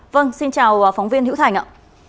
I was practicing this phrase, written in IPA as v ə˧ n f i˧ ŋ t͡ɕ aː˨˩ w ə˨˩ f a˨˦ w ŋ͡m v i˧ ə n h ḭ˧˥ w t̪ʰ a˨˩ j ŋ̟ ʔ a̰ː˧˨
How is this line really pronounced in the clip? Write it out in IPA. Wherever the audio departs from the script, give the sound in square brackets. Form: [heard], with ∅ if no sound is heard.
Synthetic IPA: v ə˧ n [s] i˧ [n] t͡ɕ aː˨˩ w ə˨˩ f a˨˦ w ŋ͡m v i˧ ə n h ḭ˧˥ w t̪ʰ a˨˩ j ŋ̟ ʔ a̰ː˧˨